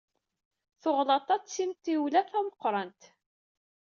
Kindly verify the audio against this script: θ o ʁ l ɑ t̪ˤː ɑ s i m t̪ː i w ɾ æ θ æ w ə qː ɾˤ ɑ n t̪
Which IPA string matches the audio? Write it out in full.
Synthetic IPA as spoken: θ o ʁ l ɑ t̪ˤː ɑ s i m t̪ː i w l æ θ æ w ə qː ɾˤ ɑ n t̪